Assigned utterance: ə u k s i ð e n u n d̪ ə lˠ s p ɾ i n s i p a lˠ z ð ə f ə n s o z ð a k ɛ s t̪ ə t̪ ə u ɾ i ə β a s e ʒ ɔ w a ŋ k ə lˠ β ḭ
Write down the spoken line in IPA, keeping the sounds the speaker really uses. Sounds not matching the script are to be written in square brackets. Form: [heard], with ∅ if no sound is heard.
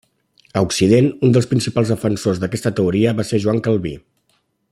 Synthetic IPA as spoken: ə u k s i ð e n u n d̪ ə lˠ s p ɾ i n s i p a lˠ z ð ə f ə n s o z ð [ə] k ɛ s t̪ ə t̪ ə u ɾ i ə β a s e ʒ [u] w a ŋ k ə lˠ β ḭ